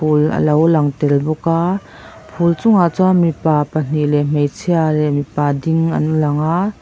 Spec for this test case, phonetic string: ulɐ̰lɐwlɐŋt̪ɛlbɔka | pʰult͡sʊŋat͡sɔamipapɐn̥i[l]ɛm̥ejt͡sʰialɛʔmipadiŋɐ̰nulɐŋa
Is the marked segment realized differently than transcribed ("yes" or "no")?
no